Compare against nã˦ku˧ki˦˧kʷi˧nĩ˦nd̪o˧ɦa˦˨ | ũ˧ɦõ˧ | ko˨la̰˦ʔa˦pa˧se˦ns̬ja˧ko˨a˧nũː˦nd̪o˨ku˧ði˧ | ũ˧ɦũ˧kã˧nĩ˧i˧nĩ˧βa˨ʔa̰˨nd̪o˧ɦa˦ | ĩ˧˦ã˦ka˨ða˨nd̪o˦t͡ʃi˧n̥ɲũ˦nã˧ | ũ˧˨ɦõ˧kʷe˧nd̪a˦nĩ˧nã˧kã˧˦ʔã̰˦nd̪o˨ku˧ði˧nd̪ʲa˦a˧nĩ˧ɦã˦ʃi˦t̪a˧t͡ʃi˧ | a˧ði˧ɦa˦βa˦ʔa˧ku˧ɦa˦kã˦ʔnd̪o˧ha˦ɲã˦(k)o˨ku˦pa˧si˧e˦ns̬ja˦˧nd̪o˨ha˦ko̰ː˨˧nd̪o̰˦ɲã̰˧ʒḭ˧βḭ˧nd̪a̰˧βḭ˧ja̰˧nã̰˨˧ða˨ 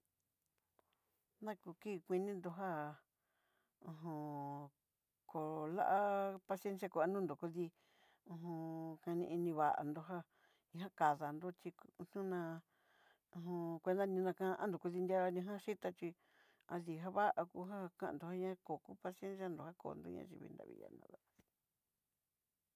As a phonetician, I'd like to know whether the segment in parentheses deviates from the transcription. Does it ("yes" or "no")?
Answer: no